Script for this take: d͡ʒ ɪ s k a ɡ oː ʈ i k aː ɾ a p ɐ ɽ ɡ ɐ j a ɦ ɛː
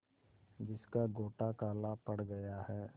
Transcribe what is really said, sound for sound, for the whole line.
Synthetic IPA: d͡ʒ ɪ s k a ɡ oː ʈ a k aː l a p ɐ ɽ ɡ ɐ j a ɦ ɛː